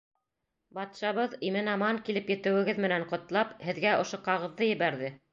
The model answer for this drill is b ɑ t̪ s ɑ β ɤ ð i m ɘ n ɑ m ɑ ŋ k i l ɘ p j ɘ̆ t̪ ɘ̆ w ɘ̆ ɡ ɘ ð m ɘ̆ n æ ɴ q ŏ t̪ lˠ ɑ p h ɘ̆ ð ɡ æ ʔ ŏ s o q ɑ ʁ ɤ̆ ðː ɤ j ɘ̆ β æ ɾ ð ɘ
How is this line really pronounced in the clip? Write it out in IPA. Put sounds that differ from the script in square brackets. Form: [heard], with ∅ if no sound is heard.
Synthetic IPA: b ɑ t̪ [ʃ] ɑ β ɤ ð i m ɘ n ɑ m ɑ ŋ k i l ɘ p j ɘ̆ t̪ ɘ̆ w ɘ̆ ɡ ɘ ð m ɘ̆ n æ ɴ q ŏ t̪ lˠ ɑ p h ɘ̆ ð ɡ æ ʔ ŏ [ʃ] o q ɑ ʁ ɤ̆ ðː ɤ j ɘ̆ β æ ɾ ð ɘ